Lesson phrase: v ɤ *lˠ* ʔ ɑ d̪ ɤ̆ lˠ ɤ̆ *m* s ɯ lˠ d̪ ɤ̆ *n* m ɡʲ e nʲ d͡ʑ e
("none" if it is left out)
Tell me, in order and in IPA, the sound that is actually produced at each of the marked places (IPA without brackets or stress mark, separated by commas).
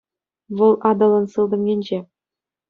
lˠ, n, none